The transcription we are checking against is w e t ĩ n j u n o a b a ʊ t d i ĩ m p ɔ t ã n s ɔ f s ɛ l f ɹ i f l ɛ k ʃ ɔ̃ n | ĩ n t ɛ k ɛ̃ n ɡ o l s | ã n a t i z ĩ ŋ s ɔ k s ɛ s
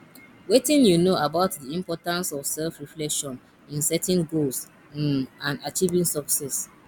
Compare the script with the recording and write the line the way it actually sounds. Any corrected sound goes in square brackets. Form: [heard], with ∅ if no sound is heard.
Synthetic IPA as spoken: w e t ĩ n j u n o a b a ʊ t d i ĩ m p ɔ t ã n s ɔ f s ɛ l f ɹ i f l ɛ k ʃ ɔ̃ n | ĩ n [s] ɛ [t] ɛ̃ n ɡ o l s | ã n a [t͡ʃ] i [v] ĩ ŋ s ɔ k s ɛ s